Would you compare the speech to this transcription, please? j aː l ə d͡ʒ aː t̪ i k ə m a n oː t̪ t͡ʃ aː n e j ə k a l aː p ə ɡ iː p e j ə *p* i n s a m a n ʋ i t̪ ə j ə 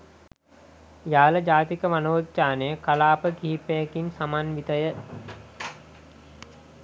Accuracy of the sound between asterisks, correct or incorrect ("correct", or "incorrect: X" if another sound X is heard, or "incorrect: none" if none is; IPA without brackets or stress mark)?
incorrect: k